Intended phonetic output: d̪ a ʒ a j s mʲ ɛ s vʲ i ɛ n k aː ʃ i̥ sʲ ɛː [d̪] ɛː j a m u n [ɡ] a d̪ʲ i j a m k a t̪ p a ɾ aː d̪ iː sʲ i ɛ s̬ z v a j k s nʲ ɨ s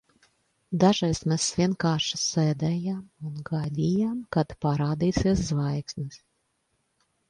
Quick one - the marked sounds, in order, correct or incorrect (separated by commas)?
correct, correct